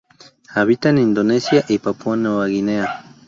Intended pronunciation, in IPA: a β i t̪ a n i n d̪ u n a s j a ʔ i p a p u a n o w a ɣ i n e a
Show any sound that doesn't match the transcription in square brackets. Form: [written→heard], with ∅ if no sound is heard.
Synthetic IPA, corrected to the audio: a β i t̪ a n i n d̪ [u→o] n [a→e] s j a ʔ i p a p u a n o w a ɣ i n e a